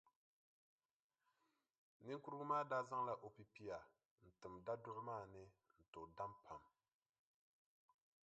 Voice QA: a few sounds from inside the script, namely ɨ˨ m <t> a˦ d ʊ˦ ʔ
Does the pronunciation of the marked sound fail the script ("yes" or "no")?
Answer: yes